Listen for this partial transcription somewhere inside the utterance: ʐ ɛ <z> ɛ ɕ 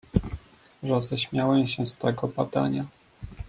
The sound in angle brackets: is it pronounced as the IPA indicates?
yes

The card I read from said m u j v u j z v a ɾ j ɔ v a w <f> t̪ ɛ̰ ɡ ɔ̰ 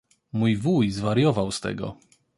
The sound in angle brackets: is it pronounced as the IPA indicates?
no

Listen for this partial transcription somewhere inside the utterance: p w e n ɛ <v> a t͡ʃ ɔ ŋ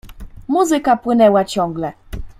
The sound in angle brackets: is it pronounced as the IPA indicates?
no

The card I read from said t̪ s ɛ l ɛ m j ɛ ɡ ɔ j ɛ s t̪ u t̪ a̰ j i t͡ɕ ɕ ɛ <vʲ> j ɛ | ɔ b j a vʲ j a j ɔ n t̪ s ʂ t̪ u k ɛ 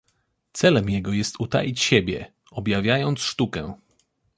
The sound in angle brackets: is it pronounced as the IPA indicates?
no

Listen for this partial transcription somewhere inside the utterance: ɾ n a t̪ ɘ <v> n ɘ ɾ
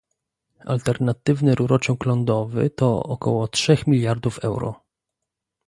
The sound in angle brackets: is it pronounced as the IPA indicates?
yes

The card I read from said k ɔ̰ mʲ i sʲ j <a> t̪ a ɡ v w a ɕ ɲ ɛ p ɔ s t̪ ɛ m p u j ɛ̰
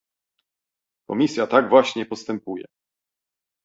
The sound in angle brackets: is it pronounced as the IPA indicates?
yes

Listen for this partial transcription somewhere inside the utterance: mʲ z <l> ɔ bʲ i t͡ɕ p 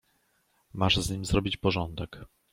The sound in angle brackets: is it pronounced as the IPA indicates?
no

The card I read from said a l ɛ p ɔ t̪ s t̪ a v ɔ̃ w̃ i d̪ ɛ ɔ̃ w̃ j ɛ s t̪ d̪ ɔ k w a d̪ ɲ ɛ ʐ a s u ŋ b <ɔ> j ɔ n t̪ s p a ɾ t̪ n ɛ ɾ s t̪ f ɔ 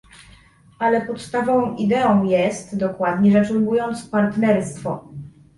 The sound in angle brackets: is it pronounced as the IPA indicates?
no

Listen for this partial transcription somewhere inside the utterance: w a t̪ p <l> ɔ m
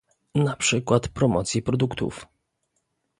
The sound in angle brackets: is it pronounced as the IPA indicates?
no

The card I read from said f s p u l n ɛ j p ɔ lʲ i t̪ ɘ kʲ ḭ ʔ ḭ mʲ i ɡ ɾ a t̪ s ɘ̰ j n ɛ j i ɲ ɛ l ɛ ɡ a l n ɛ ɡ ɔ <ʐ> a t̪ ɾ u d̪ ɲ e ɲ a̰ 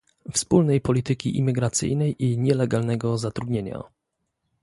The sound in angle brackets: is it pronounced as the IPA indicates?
no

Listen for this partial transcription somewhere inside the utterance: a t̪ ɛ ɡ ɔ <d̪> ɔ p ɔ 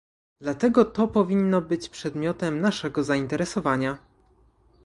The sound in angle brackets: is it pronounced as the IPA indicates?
no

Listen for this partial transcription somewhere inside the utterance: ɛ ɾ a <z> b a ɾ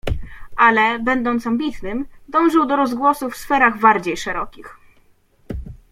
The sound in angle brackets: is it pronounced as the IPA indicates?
no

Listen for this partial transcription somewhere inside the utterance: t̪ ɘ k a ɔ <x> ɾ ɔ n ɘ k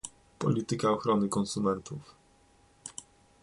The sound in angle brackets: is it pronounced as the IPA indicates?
yes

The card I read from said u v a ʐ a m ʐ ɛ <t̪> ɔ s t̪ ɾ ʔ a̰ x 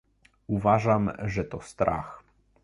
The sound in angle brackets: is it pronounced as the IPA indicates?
yes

